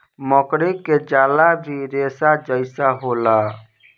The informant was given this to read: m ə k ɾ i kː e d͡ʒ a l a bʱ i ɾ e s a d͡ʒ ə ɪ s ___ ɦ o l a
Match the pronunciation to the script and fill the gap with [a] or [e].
a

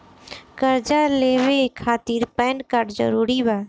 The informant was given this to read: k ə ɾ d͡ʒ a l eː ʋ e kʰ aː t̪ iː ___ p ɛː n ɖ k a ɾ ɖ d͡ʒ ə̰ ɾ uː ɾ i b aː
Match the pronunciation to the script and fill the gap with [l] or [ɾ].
ɾ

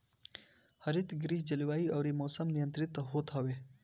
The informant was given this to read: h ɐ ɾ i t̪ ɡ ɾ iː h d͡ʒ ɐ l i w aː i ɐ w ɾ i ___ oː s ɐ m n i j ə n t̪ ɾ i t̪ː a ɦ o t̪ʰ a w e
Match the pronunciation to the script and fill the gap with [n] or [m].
m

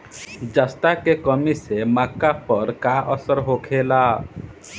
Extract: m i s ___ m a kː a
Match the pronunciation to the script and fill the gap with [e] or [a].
e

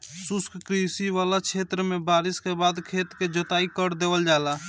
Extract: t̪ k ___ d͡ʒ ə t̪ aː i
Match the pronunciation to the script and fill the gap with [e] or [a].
e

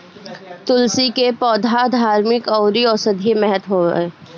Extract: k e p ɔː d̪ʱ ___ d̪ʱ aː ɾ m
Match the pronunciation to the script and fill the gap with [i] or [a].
a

